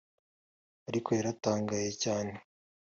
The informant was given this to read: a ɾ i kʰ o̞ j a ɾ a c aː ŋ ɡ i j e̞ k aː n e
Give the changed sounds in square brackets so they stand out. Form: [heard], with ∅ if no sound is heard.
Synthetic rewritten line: a ɾ i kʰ o̞ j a ɾ a [t] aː ŋ ɡ [a] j e̞ [c] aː n e